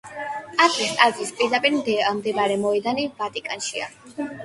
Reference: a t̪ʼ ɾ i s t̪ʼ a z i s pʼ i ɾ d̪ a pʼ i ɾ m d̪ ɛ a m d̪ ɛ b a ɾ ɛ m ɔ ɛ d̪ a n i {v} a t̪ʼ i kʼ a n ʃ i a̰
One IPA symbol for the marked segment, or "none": v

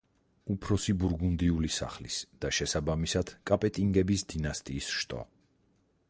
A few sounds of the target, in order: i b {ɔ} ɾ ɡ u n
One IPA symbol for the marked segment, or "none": u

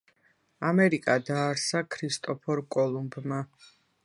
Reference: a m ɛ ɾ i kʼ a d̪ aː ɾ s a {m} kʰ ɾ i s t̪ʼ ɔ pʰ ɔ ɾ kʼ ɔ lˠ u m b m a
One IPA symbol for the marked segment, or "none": none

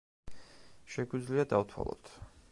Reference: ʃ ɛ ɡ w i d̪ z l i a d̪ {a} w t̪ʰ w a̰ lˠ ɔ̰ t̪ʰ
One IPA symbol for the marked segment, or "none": a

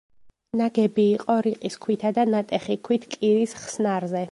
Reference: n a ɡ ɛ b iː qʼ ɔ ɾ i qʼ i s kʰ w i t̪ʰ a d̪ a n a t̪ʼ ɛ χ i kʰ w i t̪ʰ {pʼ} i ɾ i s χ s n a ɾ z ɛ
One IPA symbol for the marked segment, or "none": kʼ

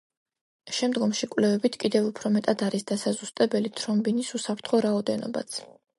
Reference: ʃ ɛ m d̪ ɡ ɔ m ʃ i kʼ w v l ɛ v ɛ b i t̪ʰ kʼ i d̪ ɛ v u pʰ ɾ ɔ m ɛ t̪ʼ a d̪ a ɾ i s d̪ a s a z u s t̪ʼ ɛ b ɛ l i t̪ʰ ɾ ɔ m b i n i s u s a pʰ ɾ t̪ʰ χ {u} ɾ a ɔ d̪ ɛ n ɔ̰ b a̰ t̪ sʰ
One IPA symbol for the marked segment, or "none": ɔ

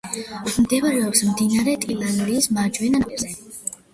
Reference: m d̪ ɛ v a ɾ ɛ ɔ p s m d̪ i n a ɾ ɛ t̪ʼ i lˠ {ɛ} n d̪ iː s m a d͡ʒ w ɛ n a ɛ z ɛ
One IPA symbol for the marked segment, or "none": a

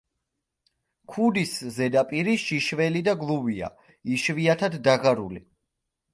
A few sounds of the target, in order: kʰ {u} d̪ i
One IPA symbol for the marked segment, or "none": u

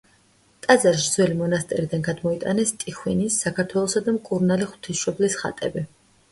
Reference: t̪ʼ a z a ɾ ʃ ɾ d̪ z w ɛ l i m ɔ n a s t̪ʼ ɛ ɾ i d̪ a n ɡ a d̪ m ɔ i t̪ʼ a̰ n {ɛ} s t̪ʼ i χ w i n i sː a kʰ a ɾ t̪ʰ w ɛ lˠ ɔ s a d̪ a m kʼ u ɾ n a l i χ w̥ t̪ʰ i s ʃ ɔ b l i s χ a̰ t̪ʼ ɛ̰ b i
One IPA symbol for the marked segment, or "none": ɛ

